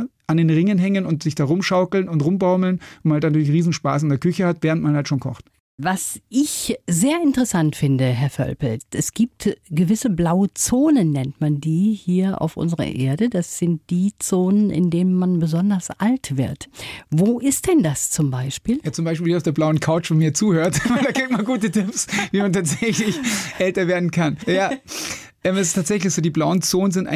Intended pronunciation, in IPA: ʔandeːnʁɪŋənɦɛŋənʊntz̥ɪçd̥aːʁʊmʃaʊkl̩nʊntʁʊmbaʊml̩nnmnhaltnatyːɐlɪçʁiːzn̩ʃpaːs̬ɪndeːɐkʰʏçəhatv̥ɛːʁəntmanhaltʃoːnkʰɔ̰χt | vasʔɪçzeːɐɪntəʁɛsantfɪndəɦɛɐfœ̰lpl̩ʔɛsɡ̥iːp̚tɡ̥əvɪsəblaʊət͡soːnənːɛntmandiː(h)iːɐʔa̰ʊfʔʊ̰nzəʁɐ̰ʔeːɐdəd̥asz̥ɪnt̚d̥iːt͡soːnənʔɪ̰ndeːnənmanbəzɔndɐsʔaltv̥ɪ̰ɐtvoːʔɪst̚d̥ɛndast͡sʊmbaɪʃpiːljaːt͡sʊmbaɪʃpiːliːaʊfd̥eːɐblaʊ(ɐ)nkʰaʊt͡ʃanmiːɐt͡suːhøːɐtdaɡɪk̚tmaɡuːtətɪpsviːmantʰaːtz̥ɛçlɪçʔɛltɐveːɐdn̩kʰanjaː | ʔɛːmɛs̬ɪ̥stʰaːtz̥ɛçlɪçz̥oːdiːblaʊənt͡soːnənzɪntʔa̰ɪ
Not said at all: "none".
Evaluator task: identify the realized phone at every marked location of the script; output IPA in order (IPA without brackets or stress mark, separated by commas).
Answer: h, ə